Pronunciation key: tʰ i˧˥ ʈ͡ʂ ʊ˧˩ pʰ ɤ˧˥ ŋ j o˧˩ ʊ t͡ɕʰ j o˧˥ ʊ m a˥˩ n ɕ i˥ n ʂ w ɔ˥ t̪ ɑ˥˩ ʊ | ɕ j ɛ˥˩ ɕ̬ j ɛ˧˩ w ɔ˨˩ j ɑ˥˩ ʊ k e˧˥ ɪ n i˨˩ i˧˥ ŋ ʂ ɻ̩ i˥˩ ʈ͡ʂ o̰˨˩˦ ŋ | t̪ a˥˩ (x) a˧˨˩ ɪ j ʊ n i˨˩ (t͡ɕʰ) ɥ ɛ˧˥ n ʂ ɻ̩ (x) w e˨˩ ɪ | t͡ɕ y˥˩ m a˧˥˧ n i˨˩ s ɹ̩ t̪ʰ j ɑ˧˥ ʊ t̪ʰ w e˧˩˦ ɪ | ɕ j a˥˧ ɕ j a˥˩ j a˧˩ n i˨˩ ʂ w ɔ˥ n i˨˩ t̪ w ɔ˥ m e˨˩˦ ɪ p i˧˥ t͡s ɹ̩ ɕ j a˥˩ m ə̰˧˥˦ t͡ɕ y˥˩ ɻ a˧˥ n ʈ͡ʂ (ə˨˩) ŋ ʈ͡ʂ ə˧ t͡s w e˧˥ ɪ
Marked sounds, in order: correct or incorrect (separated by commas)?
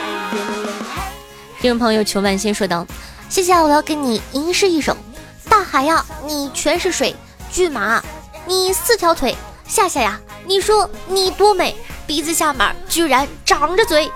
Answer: correct, correct, incorrect, incorrect